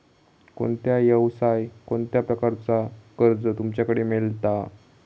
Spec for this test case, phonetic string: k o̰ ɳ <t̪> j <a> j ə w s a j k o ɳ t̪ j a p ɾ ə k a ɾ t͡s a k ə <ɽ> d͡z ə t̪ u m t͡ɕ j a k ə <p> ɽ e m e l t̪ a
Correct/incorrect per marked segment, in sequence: correct, correct, incorrect, incorrect

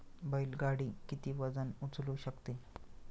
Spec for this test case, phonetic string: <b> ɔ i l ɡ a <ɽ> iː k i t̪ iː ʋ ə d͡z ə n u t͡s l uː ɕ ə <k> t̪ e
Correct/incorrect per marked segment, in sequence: correct, correct, correct

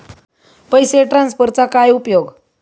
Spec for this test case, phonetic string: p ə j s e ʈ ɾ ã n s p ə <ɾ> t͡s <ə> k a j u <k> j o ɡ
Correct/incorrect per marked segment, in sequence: correct, incorrect, incorrect

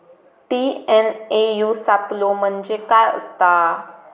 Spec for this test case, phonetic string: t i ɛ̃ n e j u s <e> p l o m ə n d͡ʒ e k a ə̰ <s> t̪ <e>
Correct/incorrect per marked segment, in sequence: incorrect, correct, incorrect

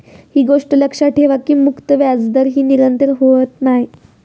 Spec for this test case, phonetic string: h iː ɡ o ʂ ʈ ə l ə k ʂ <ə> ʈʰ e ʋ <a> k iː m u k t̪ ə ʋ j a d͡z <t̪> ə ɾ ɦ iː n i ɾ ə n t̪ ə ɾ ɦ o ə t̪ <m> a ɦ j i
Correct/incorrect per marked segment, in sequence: incorrect, correct, incorrect, incorrect

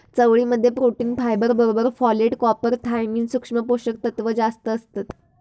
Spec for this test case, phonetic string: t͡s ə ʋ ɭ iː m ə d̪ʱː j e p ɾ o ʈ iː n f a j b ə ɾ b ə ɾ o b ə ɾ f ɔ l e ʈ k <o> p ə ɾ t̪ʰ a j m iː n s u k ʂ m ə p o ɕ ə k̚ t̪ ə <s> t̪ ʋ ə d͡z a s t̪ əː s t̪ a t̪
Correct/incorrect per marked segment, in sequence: incorrect, incorrect

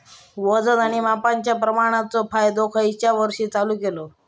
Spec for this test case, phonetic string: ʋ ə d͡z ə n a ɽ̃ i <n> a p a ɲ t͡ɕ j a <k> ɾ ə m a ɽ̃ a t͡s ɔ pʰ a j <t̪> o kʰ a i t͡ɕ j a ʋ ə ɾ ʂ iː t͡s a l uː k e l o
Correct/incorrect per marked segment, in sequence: incorrect, incorrect, incorrect

